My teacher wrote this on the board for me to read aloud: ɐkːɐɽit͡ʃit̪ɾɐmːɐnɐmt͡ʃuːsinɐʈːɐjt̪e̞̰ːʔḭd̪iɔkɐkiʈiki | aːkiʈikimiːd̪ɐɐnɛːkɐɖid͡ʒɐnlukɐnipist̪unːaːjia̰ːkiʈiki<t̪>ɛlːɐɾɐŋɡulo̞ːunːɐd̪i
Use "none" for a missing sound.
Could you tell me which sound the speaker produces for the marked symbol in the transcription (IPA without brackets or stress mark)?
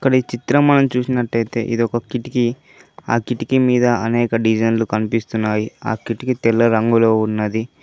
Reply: t̪